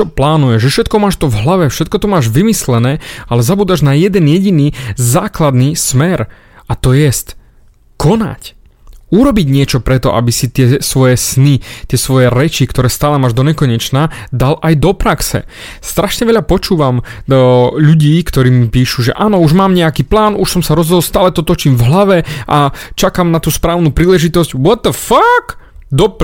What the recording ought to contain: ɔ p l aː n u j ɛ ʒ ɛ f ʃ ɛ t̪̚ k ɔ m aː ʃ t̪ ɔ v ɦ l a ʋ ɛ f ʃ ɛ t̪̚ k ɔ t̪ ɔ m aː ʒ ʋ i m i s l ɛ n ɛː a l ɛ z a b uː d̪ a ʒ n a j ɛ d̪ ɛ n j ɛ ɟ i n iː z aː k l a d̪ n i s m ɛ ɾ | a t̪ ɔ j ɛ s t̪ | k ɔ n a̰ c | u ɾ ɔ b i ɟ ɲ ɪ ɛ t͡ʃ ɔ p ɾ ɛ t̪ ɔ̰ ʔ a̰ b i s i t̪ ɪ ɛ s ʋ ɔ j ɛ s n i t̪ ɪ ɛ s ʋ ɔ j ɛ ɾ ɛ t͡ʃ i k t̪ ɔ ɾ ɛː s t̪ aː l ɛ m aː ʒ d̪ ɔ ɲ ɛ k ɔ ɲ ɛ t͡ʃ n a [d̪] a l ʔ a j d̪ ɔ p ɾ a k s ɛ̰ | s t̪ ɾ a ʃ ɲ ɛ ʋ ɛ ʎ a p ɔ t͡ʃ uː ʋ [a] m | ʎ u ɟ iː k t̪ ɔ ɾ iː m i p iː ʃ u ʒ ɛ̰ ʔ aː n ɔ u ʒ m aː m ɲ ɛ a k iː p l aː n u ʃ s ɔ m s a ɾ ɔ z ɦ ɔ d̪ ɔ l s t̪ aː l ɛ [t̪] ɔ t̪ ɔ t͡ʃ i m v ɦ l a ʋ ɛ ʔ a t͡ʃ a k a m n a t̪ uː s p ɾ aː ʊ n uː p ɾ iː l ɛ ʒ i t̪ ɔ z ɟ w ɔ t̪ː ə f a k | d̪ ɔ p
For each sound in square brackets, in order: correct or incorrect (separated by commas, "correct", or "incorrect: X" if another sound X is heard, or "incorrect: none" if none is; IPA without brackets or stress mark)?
correct, correct, correct